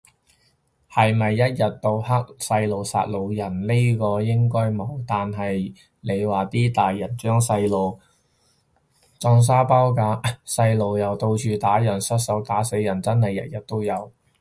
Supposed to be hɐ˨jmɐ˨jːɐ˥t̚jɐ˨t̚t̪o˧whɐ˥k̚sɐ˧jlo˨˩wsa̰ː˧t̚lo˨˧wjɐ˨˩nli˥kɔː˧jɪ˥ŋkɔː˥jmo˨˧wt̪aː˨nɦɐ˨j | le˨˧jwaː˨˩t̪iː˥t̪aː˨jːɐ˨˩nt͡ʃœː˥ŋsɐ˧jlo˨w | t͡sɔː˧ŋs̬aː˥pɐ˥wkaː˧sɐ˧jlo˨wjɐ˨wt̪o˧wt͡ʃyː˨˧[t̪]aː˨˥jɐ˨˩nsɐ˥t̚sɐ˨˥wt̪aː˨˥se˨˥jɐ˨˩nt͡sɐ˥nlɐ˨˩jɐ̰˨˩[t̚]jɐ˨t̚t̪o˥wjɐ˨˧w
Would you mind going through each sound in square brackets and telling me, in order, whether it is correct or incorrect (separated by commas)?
correct, correct